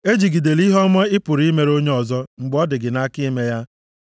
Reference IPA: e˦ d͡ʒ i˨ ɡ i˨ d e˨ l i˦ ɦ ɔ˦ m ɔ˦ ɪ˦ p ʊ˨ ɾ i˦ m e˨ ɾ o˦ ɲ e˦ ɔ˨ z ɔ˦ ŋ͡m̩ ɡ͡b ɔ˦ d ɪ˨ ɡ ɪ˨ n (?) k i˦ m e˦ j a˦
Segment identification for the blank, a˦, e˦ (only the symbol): a˦